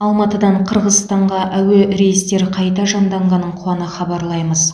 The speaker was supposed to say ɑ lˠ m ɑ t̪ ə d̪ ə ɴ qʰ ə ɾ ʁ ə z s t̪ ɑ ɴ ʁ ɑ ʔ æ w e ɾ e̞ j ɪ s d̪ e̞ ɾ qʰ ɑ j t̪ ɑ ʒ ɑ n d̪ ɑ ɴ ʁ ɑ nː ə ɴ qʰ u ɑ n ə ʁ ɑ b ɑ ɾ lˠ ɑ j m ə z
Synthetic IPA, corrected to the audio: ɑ lˠ m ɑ t̪ ə d̪ ɑ ɴ qʰ ə ɾ ʁ ə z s t̪ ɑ ɴ ʁ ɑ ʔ æ w e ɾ e̞ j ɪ s t̪ e̞ ɾ qʰ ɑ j t̪ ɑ ʒ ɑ n d̪ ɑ ɴ ʁ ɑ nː ə ɴ qʰ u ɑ n ə χ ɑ b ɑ ɾ lˠ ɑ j m ə z